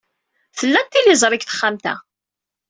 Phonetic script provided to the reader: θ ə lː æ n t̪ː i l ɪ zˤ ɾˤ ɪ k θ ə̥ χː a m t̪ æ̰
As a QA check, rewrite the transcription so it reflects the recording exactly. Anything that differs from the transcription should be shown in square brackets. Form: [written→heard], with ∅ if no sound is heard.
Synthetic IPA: θ ə lː æ n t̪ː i l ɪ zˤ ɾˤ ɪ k θ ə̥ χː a m t̪ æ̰